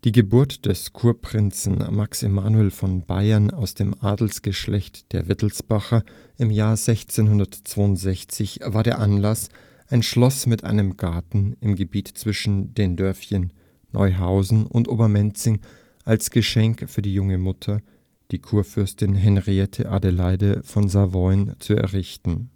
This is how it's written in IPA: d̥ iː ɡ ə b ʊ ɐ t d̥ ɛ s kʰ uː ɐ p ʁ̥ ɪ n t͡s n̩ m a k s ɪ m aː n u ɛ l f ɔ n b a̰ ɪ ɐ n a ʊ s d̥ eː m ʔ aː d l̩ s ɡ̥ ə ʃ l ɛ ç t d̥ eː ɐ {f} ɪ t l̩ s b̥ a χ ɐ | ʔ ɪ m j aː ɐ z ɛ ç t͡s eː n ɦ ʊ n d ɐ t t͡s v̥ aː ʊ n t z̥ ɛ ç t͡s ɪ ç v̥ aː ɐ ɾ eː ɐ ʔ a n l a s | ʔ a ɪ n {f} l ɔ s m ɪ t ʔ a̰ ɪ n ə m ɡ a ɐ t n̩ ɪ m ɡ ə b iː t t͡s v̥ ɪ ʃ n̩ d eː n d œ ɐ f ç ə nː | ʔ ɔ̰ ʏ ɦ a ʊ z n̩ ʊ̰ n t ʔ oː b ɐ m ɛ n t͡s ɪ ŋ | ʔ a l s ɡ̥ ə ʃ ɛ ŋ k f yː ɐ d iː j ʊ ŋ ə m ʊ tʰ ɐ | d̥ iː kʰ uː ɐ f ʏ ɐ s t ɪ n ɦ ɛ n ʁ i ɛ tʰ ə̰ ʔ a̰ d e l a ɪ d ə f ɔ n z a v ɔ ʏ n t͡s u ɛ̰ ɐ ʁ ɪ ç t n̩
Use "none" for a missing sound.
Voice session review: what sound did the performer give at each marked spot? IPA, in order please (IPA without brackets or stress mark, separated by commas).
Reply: v, ʃ